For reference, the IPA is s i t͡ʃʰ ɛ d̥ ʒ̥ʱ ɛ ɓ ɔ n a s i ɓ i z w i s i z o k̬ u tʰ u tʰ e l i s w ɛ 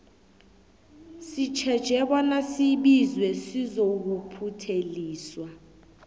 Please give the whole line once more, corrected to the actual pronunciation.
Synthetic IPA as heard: s i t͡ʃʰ ɛ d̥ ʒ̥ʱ ɛ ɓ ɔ n a s i ɓ i z w ɛ s i z o k̬ u pʰ u tʰ e l iː s w a